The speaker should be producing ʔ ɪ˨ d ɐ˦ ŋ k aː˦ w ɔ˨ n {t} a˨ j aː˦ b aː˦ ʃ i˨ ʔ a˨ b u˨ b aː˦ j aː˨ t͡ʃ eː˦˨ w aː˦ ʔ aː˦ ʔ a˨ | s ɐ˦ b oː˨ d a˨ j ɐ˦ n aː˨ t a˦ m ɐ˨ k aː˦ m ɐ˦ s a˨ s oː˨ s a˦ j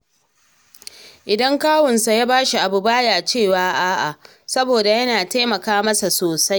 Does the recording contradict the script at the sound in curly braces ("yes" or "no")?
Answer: yes